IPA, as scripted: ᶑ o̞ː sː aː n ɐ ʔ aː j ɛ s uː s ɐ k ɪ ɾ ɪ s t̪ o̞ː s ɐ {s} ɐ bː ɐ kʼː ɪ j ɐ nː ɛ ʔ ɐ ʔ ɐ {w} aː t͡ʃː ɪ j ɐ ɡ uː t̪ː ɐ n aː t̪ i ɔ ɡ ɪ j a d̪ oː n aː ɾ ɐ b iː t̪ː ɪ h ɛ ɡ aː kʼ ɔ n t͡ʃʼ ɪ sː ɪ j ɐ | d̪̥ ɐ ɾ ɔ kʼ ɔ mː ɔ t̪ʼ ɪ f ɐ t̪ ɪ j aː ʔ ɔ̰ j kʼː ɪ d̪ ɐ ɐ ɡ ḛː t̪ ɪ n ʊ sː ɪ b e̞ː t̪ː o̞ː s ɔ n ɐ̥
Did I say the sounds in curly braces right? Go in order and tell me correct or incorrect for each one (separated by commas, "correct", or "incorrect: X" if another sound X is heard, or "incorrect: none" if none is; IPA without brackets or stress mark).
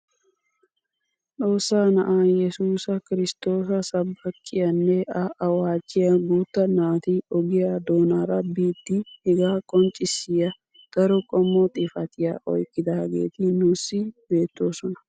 correct, correct